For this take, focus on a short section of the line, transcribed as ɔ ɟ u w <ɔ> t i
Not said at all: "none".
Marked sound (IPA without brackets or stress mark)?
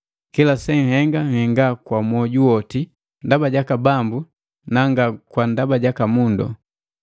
ɔ